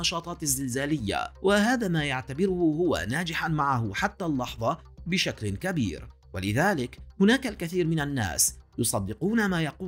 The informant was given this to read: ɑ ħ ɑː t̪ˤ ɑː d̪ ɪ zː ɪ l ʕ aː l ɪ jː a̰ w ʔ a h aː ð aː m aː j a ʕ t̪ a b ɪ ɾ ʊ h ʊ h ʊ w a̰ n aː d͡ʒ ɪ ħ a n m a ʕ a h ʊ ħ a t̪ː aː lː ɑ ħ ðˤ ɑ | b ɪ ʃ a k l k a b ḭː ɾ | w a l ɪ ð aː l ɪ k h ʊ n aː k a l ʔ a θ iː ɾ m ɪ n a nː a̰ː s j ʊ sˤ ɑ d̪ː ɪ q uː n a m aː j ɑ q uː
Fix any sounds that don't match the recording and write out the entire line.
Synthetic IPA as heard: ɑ ʃ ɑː t̪ˤ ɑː t̪ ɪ zː ɪ l z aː l ɪ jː a̰ w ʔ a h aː ð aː m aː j a ʕ t̪ a b ɪ ɾ ʊ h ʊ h ʊ w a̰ n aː d͡ʒ ɪ ħ a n m a ʕ a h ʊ ħ a t̪ː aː lː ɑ ħ ðˤ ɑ | b ɪ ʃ a k l k a b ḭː ɾ | w a l ɪ ð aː l ɪ k h ʊ n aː k a l k a θ iː ɾ m ɪ n a nː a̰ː s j ʊ sˤ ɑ d̪ː ɪ q uː n a m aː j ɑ q uː